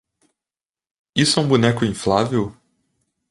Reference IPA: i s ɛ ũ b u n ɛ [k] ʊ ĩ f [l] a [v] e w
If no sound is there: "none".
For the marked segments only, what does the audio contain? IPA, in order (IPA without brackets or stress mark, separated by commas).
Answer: k, l, v